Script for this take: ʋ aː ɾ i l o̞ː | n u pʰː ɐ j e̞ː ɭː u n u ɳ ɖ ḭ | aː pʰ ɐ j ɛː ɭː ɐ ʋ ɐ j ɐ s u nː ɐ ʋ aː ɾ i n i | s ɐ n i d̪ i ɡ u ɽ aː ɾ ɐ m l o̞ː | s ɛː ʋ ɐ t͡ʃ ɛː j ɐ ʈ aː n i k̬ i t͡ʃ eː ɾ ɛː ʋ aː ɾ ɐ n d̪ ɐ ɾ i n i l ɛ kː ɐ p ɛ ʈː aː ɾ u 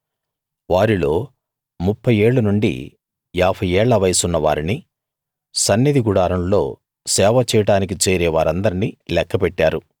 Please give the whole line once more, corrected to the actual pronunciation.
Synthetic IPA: ʋ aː ɾ i l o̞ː | m u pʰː ɐ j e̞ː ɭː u n u ɳ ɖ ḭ | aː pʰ ɐ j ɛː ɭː ɐ ʋ ɐ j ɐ s u nː ɐ ʋ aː ɾ i n i | s ɐ nː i d̪ i ɡ u ɽ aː ɾ ɐ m l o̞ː | s ɛː ʋ ɐ t͡ʃ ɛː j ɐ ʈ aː n i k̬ i t͡ʃ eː ɾ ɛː ʋ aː ɾ ɐ n d̪ ɐ ɾ i n i l ɛ kː ɐ p ɛ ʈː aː ɾ u